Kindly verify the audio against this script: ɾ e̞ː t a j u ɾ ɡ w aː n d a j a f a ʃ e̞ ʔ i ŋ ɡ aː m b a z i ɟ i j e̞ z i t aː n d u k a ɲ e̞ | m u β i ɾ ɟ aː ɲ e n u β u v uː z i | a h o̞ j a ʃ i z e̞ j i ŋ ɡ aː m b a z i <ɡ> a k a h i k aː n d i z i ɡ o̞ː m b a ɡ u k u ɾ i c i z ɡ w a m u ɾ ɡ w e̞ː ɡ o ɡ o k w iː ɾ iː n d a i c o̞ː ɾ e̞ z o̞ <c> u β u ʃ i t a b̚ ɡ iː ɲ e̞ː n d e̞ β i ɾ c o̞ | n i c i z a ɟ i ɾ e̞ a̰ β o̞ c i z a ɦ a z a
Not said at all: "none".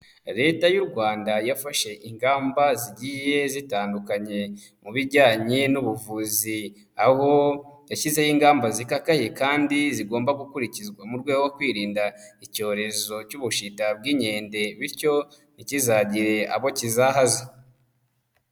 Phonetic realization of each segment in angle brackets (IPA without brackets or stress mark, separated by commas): k, c